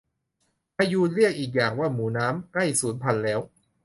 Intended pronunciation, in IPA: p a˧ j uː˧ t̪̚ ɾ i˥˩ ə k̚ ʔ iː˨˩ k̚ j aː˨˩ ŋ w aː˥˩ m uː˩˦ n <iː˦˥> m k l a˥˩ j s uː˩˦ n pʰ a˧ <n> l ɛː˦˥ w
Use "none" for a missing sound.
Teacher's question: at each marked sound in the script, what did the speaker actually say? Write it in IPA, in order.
aː˦˥, n

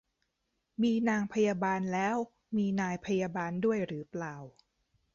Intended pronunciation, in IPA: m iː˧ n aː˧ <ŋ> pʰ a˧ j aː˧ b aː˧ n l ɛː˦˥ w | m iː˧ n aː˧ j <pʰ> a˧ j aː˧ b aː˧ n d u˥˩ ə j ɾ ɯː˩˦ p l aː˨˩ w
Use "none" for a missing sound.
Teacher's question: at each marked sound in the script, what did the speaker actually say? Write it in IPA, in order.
ŋ, pʰ

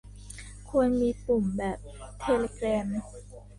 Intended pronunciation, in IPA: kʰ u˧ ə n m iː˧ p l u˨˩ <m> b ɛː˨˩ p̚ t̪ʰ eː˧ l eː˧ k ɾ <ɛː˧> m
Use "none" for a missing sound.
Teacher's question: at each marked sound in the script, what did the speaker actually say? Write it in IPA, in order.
m, ɛː˧

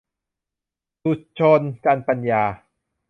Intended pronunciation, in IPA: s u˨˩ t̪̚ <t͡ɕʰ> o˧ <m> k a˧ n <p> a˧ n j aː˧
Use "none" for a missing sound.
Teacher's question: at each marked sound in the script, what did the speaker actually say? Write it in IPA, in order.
t͡ɕʰ, n, p

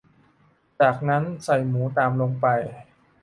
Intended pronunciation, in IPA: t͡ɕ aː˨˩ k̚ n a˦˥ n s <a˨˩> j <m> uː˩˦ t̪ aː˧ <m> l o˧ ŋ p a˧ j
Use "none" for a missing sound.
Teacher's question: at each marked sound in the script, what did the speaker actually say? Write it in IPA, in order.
a˨˩, m, m

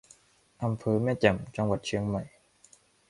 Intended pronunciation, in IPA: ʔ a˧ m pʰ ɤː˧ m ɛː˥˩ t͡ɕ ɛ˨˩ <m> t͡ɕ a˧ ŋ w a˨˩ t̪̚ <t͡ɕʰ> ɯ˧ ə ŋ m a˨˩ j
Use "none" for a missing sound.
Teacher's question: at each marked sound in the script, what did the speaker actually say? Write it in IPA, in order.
m, t͡ɕʰ

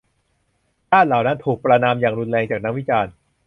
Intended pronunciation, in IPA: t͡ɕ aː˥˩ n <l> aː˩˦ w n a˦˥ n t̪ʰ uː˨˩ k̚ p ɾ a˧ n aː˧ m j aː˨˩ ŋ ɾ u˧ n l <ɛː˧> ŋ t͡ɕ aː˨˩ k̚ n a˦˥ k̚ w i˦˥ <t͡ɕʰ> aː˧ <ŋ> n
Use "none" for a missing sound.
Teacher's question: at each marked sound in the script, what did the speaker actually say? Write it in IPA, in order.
l, ɛː˧, t͡ɕ, none

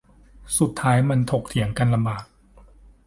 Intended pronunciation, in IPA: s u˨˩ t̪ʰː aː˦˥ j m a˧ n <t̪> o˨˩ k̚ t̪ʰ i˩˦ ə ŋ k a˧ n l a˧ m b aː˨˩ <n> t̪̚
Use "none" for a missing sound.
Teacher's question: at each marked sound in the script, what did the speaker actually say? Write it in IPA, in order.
t̪ʰ, none

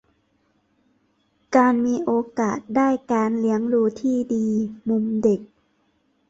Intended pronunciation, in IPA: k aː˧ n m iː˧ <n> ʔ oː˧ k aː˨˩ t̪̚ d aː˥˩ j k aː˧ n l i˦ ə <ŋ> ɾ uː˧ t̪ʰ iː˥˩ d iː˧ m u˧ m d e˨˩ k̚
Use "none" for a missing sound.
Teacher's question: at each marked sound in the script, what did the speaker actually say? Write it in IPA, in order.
none, ŋ

